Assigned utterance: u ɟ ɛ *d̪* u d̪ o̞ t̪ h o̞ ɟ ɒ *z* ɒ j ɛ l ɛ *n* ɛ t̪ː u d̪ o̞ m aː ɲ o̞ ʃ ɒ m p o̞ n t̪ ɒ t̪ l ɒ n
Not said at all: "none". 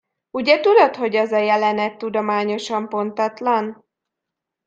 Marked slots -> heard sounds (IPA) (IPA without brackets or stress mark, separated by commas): t̪, z, n